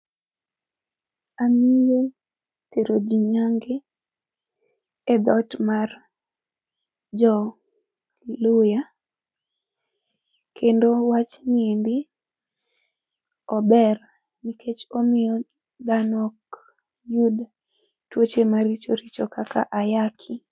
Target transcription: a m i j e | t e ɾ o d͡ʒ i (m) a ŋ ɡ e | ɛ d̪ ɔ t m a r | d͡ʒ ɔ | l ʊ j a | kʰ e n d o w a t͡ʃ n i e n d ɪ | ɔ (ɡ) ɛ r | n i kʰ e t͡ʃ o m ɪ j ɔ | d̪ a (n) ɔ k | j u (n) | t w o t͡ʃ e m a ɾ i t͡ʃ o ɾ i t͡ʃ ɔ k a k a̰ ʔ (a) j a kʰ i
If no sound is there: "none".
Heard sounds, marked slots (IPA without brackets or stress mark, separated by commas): ɲ, b, n, d, a